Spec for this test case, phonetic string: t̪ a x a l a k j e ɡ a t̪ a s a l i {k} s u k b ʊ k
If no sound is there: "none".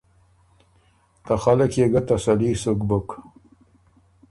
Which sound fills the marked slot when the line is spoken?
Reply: none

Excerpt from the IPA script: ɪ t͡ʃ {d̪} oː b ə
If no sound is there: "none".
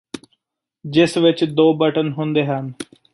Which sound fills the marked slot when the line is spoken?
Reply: d̪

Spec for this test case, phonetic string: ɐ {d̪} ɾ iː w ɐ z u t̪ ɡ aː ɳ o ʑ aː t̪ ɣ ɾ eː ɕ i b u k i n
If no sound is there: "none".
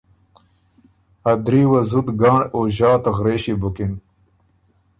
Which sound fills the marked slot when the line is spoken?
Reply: d̪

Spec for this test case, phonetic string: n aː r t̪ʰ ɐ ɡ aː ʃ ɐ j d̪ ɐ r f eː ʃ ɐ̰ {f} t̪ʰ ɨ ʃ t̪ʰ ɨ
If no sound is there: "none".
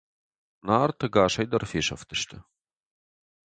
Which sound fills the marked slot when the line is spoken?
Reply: f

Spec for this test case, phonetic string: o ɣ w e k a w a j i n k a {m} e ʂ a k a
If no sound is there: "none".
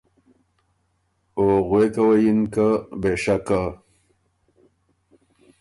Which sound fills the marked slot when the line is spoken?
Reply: b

